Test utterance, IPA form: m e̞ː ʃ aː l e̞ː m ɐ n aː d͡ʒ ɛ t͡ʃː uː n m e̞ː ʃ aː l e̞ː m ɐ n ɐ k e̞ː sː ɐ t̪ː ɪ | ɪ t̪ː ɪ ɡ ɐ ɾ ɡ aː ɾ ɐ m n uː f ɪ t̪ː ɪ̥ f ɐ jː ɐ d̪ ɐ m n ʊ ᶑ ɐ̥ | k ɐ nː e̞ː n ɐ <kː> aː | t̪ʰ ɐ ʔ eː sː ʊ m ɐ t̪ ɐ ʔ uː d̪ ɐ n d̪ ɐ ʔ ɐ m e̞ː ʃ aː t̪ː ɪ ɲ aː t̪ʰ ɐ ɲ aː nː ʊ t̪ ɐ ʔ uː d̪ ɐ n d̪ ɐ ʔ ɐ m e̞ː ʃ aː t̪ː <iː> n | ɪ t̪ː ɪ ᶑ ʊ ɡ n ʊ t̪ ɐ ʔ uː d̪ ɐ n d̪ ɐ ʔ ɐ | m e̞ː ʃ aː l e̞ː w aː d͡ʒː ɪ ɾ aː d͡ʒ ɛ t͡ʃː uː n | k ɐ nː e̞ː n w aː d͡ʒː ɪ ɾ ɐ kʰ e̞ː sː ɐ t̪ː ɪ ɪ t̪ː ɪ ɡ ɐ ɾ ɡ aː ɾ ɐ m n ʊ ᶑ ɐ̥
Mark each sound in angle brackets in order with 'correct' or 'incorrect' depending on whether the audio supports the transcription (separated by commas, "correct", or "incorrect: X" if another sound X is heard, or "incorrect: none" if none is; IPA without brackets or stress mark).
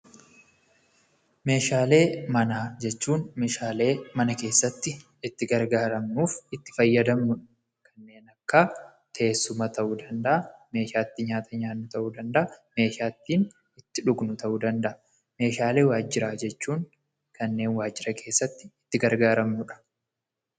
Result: correct, correct